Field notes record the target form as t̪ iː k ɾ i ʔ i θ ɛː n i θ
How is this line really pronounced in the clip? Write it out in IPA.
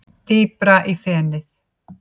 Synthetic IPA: t̪ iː p ɾ a ʔ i f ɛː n ɪ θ